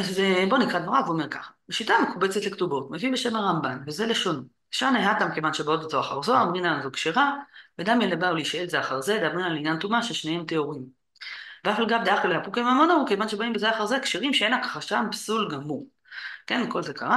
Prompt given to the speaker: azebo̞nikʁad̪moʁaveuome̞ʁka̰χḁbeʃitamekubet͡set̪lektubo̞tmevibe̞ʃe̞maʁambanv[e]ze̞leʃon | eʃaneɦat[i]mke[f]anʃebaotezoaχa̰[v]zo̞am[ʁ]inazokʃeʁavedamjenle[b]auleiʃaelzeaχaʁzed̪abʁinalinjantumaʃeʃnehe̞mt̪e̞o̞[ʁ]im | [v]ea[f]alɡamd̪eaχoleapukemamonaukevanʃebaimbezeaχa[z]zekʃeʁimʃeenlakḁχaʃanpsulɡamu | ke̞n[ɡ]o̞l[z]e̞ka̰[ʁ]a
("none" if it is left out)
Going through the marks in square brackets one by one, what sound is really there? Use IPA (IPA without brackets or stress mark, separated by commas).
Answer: e, a, v, ʁ, ʁ, b, ʁ, v, f, ʁ, k, z, ʁ